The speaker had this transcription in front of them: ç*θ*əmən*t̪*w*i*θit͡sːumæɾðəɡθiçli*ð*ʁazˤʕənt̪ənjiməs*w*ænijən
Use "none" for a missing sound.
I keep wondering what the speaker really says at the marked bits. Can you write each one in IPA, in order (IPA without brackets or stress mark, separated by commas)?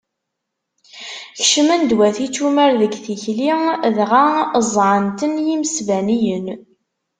ʃ, d̪, æ, ð, v